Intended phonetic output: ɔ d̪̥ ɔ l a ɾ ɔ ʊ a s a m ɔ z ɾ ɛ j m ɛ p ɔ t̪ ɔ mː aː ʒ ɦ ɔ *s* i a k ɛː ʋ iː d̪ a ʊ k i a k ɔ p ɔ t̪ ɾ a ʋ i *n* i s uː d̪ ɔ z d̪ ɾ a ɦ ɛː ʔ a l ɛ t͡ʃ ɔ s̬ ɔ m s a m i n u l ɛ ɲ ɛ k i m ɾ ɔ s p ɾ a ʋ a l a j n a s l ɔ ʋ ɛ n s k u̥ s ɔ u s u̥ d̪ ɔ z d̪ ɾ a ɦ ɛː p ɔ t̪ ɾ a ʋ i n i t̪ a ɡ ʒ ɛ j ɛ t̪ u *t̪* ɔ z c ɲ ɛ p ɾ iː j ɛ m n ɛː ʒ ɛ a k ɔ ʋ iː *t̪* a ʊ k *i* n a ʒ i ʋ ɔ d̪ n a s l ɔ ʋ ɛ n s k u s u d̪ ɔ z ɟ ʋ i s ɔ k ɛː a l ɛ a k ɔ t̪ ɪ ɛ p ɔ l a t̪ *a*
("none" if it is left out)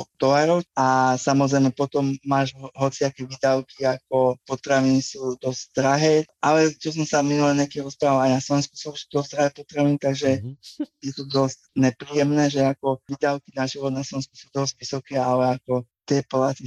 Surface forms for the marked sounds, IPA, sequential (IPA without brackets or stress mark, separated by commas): t͡s, n, d̪, d̪, i, i